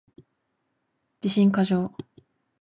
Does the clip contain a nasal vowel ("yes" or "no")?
yes